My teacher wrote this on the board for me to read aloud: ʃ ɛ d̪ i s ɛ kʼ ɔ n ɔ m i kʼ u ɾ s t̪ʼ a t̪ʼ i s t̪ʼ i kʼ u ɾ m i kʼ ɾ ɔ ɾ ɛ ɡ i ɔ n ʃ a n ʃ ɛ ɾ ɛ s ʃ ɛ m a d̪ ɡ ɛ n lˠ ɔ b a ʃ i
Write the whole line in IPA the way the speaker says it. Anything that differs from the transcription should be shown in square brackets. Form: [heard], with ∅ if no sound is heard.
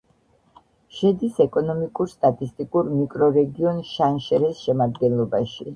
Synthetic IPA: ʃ ɛ d̪ i s ɛ kʼ ɔ n ɔ m i kʼ u ɾ s t̪ʼ a t̪ʼ i s t̪ʼ i kʼ u ɾ m i kʼ ɾ ɔ ɾ ɛ ɡ i ɔ n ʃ a n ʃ ɛ ɾ ɛ s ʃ ɛ m a d̪ ɡ ɛ n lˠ ɔ b a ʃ i